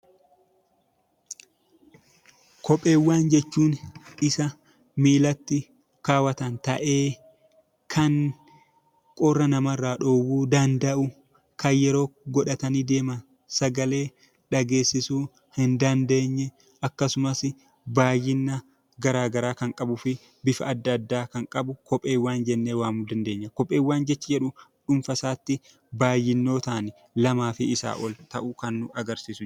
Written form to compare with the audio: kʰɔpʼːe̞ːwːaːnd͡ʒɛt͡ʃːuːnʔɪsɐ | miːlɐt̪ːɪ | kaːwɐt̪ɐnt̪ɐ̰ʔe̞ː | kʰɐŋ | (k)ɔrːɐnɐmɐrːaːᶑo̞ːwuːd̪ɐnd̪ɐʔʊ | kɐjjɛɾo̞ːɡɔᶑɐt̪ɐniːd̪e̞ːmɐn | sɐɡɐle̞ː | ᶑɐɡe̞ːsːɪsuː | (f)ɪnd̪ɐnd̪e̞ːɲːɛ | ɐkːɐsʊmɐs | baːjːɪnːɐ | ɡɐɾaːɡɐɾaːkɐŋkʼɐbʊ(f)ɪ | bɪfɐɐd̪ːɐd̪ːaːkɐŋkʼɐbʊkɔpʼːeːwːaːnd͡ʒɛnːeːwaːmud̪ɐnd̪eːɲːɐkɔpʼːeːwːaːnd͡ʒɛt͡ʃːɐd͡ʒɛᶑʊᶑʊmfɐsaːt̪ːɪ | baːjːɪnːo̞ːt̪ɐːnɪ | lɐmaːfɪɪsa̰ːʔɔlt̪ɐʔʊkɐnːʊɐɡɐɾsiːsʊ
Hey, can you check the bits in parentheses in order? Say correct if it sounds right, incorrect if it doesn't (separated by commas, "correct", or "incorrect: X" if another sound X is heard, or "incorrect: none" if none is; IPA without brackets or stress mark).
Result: incorrect: kʼ, incorrect: h, correct